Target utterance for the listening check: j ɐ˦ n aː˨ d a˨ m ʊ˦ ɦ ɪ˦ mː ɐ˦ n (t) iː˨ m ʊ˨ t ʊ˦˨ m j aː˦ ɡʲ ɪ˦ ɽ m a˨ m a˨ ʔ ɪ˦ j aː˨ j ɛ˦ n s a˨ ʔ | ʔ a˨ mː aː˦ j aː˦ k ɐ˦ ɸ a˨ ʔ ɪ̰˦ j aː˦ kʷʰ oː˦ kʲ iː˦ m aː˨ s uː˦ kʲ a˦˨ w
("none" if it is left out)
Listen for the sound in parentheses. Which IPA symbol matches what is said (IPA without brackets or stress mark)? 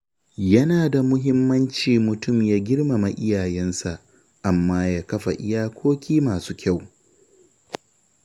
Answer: t͡ʃ